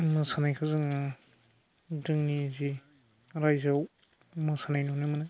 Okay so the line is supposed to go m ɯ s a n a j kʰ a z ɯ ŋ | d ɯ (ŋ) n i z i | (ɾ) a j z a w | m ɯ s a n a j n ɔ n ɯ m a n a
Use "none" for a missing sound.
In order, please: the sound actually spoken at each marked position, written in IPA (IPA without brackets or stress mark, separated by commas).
ŋ, ɾ